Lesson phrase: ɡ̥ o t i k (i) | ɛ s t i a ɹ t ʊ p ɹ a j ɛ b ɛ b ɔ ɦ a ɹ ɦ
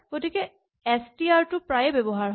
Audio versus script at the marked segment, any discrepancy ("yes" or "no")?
yes